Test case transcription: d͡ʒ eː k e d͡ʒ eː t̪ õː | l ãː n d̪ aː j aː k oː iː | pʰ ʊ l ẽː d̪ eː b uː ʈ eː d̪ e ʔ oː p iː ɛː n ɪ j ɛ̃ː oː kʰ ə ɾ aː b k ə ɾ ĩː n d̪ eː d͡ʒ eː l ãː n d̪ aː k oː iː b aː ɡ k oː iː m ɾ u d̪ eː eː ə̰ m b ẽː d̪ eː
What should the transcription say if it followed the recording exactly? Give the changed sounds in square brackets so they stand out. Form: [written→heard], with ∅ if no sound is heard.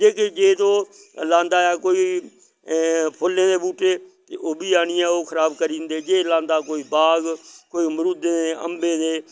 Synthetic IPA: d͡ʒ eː k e d͡ʒ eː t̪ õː | l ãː n d̪ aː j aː k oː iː | pʰ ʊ l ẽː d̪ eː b uː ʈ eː [d̪→t̪] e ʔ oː [p→b] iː [ɛː→aː] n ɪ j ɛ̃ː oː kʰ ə ɾ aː b k ə ɾ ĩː n d̪ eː d͡ʒ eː l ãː n d̪ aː k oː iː b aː ɡ k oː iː m ɾ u d̪ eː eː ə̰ m b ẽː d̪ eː